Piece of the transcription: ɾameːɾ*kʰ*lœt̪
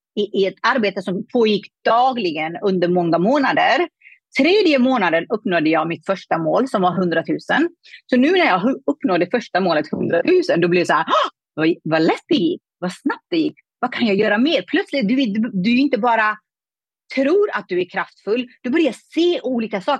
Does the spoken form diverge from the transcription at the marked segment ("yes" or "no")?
yes